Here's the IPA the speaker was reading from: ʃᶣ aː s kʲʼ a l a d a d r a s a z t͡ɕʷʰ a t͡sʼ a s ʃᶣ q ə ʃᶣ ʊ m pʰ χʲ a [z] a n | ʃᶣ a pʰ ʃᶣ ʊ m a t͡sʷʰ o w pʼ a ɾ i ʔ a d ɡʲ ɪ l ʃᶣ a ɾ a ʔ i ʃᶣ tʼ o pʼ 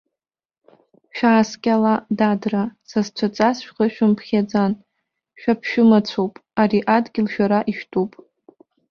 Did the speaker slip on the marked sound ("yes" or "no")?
yes